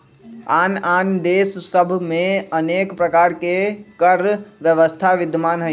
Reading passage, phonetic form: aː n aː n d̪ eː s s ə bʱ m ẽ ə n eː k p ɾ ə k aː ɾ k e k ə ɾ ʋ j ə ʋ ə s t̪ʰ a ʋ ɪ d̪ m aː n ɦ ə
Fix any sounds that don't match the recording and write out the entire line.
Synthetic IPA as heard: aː n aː n d̪ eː s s ə bʱ m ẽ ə n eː k p ɾ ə k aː ɾ k e k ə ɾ ʋ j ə ʋ ə s t̪ʰ a ʋ ɪ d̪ m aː n ɦ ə